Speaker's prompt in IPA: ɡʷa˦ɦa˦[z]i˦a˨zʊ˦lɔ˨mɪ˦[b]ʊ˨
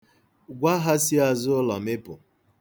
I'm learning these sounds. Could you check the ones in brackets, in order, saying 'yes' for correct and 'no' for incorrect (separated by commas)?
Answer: no, no